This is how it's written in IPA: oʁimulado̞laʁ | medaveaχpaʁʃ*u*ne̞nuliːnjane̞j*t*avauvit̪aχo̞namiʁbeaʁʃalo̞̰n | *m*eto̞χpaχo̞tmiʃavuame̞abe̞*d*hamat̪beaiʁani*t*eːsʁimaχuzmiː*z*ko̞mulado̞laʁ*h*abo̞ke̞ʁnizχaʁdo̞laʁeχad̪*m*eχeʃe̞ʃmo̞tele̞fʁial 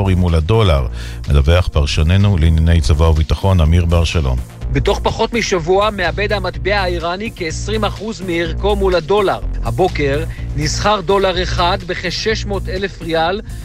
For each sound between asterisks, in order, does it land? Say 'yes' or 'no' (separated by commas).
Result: no, no, no, yes, no, no, yes, no